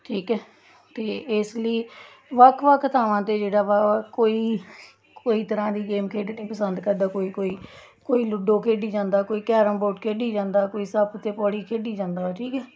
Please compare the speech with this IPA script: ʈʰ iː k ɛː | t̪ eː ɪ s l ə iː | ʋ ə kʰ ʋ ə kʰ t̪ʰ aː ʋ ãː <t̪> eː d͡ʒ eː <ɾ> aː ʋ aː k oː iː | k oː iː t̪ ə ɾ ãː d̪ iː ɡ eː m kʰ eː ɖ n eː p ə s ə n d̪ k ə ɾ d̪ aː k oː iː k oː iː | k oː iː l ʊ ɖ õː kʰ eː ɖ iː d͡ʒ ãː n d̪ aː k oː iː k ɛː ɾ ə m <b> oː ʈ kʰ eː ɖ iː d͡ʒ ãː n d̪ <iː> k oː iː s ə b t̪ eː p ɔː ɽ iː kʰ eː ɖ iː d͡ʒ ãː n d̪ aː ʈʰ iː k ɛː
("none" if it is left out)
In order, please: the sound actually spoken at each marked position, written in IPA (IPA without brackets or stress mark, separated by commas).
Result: t̪, ɽ, b, aː